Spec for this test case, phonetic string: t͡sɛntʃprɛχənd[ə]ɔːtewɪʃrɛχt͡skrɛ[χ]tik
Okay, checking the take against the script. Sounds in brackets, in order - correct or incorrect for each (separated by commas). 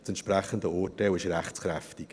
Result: correct, incorrect